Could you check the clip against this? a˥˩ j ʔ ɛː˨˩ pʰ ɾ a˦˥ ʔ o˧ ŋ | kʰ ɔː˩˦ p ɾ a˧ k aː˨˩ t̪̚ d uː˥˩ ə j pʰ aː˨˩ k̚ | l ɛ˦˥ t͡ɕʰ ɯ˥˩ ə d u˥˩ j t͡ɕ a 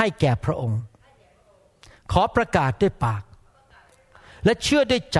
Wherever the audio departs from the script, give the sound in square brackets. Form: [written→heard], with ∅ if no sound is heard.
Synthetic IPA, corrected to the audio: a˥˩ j [ʔ→k] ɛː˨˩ pʰ ɾ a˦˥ ʔ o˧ ŋ | kʰ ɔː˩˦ p ɾ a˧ k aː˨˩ t̪̚ d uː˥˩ ə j [pʰ→p] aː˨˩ k̚ | l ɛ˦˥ t͡ɕʰ ɯ˥˩ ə d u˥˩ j t͡ɕ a